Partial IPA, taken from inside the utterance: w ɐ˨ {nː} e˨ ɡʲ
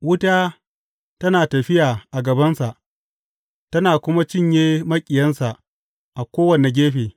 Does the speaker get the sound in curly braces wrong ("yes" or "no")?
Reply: yes